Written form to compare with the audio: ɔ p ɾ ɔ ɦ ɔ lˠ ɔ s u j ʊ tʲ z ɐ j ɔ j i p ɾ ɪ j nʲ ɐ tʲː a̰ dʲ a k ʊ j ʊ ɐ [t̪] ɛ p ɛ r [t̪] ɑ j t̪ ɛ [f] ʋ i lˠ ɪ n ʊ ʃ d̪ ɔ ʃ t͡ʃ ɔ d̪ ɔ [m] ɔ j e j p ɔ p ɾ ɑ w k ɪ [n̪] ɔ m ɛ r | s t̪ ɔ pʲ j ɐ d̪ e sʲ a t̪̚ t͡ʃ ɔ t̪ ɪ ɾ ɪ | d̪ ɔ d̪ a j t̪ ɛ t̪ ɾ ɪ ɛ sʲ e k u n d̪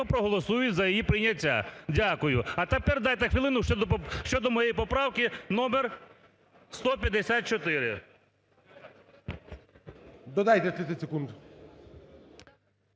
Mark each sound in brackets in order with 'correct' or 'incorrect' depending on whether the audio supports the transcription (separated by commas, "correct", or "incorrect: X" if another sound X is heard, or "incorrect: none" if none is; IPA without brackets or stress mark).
correct, incorrect: d̪, incorrect: x, correct, correct